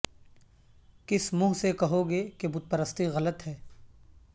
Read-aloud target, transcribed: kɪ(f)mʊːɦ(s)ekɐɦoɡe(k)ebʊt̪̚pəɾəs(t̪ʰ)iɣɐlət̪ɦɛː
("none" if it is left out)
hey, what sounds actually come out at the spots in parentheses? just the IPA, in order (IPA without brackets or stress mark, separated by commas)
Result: s, s, k, t̪